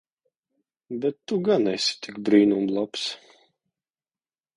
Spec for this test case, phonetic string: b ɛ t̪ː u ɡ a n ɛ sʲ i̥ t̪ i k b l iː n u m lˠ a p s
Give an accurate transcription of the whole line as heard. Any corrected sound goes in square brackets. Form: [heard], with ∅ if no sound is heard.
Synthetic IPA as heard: b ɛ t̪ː u ɡ a n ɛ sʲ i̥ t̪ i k b [ɾ] iː n u m lˠ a p s